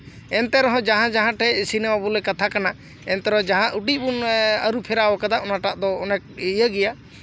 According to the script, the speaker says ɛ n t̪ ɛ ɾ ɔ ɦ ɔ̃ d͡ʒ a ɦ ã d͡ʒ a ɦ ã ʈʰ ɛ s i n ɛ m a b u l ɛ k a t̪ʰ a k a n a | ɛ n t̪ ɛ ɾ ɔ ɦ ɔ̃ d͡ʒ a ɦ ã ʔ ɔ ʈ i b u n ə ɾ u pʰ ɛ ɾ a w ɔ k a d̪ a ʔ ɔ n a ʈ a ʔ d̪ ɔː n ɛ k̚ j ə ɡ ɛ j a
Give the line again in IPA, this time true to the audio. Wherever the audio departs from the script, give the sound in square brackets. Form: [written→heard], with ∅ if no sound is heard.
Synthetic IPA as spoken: ɛ n t̪ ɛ ɾ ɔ ɦ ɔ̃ d͡ʒ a ɦ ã d͡ʒ a ɦ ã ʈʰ ɛ s i n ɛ m a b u l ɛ k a t̪ʰ a k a n a | ɛ n t̪ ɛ ɾ ɔ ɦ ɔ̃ d͡ʒ a ɦ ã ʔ [ɔ→u] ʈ i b u n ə ɾ u pʰ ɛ ɾ a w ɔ k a d̪ a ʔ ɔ n a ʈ a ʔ d̪ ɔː n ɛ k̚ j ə ɡ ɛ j a